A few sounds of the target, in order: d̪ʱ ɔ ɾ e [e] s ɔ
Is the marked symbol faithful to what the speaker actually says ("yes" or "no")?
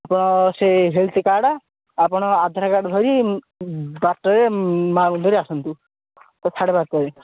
no